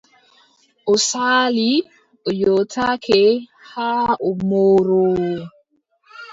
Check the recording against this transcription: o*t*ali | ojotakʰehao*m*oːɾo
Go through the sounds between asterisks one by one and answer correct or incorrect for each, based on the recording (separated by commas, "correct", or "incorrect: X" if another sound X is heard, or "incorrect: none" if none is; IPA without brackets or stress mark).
incorrect: s, correct